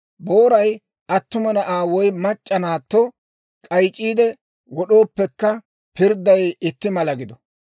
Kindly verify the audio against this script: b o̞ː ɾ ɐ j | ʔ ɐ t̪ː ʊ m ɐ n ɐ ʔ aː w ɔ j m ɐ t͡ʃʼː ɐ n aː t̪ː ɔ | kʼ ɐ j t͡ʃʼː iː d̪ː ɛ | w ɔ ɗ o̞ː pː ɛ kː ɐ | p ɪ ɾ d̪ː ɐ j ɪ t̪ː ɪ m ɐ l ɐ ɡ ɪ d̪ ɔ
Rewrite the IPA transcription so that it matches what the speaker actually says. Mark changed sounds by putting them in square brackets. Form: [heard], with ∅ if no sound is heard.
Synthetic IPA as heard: b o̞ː ɾ ɐ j | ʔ ɐ t̪ː ʊ m ɐ n ɐ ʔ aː w ɔ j m ɐ t͡ʃʼː ɐ n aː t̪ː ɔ | kʼ ɐ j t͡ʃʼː iː [d̪] ɛ | w ɔ ɗ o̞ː pː ɛ kː ɐ | p ɪ ɾ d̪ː ɐ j ɪ t̪ː ɪ m ɐ l ɐ ɡ ɪ d̪ ɔ